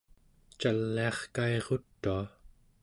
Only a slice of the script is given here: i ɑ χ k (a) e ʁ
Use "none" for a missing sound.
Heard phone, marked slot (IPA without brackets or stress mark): a